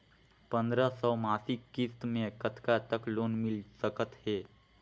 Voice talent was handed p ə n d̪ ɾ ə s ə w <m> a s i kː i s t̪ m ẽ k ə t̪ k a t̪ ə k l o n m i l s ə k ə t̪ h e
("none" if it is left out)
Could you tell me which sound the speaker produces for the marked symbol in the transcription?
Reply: m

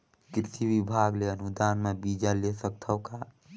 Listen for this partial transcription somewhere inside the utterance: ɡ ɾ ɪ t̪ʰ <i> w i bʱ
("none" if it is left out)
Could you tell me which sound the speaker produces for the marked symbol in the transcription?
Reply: i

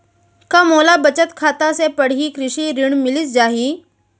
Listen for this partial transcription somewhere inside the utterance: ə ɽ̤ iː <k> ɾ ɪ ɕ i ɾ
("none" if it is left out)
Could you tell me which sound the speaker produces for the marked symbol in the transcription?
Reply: k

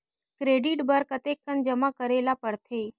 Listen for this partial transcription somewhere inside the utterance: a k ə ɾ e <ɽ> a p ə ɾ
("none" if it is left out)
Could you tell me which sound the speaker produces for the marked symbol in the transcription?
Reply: l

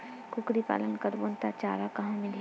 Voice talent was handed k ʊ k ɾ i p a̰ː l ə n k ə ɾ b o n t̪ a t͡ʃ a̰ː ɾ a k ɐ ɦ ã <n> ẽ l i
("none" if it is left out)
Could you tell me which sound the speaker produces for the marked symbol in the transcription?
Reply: m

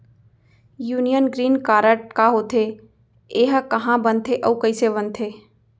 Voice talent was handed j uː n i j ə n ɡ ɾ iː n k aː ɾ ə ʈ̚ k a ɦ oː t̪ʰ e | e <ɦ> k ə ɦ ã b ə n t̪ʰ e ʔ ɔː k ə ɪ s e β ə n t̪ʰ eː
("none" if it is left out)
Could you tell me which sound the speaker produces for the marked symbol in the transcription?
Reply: ɦ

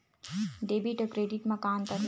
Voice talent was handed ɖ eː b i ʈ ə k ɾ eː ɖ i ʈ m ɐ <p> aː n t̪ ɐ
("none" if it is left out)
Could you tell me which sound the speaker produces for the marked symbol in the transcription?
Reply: k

